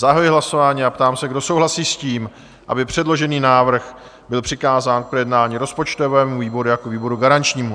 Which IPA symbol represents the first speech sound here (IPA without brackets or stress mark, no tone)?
z